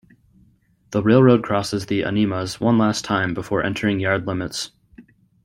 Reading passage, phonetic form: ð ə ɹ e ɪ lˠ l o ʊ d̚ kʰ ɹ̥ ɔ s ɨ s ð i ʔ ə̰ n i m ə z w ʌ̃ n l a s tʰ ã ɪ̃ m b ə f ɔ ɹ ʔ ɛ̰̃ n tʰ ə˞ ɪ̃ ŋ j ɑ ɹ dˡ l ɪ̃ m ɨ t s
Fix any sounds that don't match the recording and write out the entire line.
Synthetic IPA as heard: ð ə ɹ e ɪ lˠ ɹ o ʊ d̚ kʰ ɹ̥ ɔ s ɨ z ð i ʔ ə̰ n i m ə z w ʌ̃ n l æ s tʰ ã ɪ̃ m b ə f ɔ ɹ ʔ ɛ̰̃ n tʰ ə˞ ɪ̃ ŋ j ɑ ɹ dˡ l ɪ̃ m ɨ t s

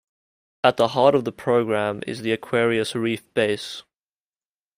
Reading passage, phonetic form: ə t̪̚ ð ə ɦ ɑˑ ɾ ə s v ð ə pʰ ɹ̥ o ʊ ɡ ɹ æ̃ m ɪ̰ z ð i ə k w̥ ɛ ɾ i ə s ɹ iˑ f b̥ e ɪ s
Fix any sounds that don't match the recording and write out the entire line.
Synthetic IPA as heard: ə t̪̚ ð ə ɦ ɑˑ ɾ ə v ð ə pʰ ɹ̥ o ʊ ɡ ɹ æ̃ m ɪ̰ z ð i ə kʰ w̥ ɛ ɹ i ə s ɹ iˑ f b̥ e ɪ s

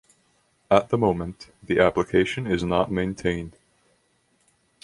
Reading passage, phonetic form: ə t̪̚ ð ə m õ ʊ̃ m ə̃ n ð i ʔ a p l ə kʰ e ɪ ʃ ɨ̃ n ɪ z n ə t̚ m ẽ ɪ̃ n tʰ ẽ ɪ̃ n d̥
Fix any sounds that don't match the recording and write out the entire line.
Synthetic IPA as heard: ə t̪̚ ð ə m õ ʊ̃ m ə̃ n ð i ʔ æ p l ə kʰ e ɪ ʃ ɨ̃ n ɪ z n ə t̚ m ẽ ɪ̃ n tʰ ẽ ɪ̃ n d̥

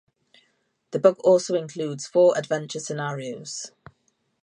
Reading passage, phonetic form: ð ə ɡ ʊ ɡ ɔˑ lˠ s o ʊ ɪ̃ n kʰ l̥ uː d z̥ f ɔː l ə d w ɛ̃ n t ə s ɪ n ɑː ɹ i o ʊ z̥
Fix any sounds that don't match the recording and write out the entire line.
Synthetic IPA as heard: ð ə b ʊ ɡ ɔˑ lˠ s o ʊ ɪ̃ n kʰ l̥ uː d z̥ f ɔː ɹ ə d v ɛ̃ n t͡ʃ ə s ɪ n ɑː ɹ i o ʊ z̥

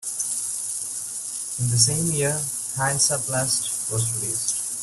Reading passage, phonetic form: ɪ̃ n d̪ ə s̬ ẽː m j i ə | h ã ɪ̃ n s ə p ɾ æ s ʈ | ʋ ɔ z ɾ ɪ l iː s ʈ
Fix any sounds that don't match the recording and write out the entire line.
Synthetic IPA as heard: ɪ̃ n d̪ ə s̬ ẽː m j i ə | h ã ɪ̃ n s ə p l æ s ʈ | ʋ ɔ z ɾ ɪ l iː s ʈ

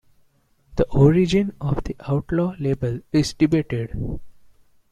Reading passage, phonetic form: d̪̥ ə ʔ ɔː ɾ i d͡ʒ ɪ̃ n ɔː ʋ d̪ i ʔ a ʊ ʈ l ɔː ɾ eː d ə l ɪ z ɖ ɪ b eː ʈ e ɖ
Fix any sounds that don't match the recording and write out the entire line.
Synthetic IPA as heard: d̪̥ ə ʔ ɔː ɾ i d͡ʒ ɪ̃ n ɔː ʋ d̪ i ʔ a ʊ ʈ l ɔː l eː b ə l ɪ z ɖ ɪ b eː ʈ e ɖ

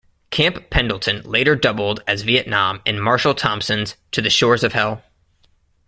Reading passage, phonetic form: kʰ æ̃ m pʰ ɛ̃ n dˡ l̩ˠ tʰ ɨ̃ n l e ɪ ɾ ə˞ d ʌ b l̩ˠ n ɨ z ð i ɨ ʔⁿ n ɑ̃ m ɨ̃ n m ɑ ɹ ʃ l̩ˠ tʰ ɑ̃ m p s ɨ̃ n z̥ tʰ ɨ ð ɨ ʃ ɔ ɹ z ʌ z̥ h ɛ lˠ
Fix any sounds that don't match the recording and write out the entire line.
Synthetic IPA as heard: kʰ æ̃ m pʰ ɛ̃ n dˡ l̩ˠ tʰ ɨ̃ n l e ɪ ɾ ə˞ d ʌ b l̩ˠ d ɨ z v i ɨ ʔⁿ n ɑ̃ m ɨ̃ n m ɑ ɹ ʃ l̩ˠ tʰ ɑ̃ m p s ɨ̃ n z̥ tʰ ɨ ð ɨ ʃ ɔ ɹ z ʌ v̥ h ɛ lˠ

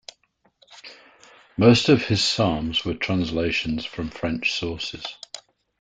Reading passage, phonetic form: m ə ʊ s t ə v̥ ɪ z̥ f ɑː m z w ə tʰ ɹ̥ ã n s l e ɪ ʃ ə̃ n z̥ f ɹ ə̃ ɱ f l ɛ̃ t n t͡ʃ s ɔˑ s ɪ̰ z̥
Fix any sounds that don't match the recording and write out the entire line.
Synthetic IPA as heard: m ə ʊ s t ə v̥ ɪ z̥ s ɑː m z w ə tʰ ɹ̥ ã n s l e ɪ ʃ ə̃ n z̥ f ɹ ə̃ ɱ f ɹ ɛ̃ n t͡ʃ s ɔˑ s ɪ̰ z̥

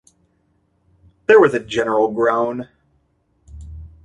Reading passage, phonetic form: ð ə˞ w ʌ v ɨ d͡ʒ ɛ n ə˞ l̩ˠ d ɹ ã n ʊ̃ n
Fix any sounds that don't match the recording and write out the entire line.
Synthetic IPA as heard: ð ə˞ w ʌ z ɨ d͡ʒ ɛ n ə˞ l̩ˠ ɡ ɹ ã ʊ̃ n

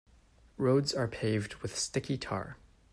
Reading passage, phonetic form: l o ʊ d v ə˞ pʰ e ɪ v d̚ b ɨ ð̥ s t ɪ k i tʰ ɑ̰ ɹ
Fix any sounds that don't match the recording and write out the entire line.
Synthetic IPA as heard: ɹ o ʊ d z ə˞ pʰ e ɪ v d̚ w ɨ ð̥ s t ɪ k i tʰ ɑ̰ ɹ

